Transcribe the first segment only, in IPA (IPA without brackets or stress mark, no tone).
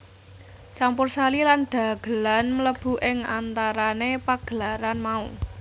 t͡ʃ